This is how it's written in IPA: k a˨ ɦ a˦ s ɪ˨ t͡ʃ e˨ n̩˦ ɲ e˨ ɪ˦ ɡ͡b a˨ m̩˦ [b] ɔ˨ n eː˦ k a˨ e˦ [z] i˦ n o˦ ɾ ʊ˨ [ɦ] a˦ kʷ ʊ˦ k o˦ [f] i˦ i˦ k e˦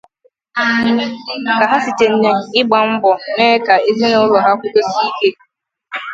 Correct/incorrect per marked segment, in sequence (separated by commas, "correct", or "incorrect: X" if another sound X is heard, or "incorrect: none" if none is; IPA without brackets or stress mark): correct, correct, correct, incorrect: s